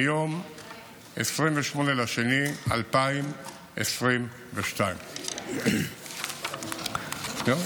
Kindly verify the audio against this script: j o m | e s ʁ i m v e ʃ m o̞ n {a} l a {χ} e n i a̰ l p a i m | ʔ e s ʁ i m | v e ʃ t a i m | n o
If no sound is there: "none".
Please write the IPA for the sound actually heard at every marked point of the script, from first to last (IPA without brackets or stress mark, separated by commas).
e, ʃ